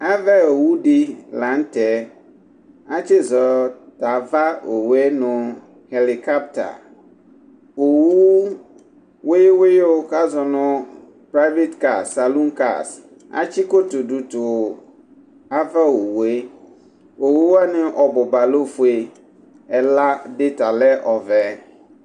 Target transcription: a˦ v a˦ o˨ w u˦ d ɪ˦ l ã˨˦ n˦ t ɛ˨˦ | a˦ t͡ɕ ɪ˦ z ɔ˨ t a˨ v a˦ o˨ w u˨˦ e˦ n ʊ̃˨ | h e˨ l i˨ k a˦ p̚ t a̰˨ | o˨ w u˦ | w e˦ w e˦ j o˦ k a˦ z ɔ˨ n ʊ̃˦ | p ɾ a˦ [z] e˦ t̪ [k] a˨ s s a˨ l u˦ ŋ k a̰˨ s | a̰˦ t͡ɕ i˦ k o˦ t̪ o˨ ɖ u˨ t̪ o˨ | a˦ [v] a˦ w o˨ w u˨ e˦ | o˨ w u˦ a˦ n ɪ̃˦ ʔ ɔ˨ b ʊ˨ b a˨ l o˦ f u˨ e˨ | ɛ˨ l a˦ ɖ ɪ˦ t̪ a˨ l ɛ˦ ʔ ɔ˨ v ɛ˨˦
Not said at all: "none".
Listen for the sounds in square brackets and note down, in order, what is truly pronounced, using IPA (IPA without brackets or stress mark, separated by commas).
v, k, v